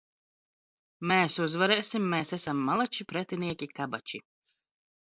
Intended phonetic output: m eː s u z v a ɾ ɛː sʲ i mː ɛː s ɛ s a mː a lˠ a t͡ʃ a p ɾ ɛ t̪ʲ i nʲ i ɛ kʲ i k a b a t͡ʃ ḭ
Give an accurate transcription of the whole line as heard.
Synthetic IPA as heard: m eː s u z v a ɾ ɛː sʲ i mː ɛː s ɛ s a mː a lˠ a t͡ʃ i p ɾ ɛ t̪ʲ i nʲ i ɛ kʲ i k a b a t͡ʃ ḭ